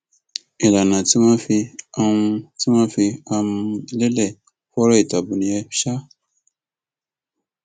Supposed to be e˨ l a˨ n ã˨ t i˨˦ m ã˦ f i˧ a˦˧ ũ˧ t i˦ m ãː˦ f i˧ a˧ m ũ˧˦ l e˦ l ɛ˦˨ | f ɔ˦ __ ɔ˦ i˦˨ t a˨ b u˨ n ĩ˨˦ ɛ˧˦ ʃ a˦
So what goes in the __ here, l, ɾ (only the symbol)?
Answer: ɾ